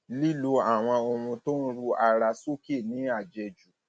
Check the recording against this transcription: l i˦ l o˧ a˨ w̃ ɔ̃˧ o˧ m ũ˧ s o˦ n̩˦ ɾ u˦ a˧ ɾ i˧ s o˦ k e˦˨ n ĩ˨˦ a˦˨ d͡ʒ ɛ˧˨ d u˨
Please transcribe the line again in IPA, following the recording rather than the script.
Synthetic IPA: l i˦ l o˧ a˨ w̃ ɔ̃˧ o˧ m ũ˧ t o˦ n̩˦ ɾ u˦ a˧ ɾ a˧ s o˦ k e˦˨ n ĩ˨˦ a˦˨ d͡ʒ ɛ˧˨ d͡ʒ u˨